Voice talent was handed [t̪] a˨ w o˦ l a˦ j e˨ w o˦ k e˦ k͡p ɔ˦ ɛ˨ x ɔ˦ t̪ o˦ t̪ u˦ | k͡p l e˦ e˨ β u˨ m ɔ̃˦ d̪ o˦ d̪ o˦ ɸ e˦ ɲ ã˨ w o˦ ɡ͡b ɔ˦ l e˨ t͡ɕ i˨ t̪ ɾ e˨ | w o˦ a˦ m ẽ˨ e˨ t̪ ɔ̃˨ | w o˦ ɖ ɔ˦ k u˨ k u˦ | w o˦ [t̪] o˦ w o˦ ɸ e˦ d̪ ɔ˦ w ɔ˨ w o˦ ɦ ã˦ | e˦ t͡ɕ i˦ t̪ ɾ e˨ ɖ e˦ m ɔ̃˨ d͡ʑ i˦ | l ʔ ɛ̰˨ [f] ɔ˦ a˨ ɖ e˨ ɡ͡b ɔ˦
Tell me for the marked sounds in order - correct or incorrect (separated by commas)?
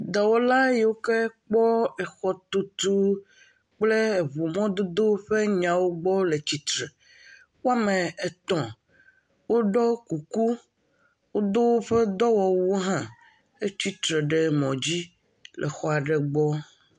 incorrect, incorrect, incorrect